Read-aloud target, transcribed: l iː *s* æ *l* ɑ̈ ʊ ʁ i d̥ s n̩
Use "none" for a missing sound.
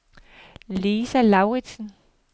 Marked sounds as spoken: s, l

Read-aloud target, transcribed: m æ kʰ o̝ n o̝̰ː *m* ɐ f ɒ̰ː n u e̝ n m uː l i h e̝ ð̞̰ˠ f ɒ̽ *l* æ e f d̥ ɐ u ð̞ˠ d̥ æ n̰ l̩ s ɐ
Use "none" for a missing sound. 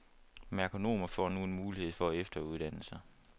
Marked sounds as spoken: m, none

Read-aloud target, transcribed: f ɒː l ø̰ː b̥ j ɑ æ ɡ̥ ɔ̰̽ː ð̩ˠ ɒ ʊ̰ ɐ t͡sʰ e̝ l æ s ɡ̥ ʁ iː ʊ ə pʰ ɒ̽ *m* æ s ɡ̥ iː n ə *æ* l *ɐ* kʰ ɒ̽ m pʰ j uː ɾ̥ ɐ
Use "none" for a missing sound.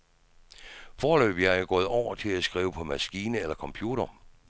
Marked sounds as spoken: m, e, ɐ

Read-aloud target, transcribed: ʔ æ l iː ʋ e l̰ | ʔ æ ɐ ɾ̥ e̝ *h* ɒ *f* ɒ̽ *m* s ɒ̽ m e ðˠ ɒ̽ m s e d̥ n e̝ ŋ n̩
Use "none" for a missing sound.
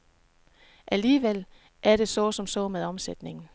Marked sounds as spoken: s, s, m

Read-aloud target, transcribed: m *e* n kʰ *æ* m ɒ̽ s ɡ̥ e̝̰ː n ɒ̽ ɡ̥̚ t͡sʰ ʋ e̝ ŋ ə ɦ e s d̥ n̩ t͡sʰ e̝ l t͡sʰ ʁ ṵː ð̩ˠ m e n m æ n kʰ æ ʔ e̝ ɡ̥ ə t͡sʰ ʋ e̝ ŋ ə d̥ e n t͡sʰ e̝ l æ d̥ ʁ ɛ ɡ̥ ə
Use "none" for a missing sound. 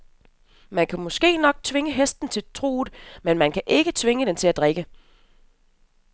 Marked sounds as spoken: æ, æ

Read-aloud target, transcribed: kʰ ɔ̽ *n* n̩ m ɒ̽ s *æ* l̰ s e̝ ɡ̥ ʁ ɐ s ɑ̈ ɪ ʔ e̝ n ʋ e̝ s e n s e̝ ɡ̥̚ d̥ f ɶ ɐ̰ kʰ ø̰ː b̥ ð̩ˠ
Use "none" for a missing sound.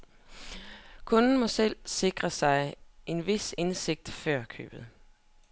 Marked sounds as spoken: n, e

